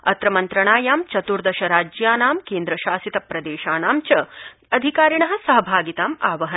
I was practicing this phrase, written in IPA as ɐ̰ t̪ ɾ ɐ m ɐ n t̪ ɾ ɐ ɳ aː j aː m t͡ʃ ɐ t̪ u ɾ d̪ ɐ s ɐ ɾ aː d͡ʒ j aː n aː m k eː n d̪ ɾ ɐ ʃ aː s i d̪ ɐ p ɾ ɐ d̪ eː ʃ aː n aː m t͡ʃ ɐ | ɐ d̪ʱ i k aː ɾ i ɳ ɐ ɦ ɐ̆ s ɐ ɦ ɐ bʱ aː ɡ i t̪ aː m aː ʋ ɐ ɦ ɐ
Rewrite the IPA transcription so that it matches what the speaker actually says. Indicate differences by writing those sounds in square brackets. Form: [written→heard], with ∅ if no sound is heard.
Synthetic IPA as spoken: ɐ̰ t̪ ɾ ɐ m ɐ n t̪ ɾ ɐ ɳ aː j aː m t͡ʃ ɐ t̪ u ɾ d̪ ɐ [s→ʃ] ɐ ɾ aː d͡ʒ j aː n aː m k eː n d̪ ɾ ɐ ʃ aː s i [d̪→t̪] ɐ p ɾ ɐ d̪ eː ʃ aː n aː m t͡ʃ ɐ | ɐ d̪ʱ i k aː ɾ i ɳ ɐ ɦ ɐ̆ s ɐ ɦ ɐ bʱ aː ɡ i t̪ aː m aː ʋ ɐ ɦ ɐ